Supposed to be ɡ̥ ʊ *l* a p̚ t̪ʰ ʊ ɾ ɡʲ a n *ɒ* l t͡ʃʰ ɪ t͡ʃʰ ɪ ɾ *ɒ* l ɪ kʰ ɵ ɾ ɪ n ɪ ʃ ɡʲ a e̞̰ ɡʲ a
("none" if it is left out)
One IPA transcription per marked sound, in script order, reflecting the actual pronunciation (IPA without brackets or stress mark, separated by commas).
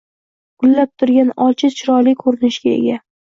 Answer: lː, ɒ, ɒ